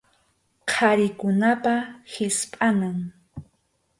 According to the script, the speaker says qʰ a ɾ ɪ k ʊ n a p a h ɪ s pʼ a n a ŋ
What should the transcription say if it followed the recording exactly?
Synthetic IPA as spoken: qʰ a ɾ ɪ k ʊ n a p a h ɪ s pʼ a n a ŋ